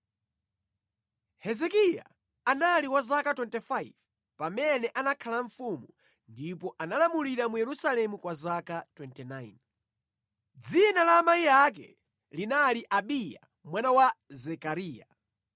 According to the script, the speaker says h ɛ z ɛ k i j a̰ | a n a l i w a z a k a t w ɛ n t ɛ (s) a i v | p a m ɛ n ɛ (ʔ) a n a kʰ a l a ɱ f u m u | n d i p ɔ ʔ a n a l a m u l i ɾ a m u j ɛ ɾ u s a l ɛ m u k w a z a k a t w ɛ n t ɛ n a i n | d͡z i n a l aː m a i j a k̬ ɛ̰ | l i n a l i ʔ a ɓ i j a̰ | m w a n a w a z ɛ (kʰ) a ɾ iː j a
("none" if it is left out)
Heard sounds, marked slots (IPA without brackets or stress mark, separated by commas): f, ʔ, k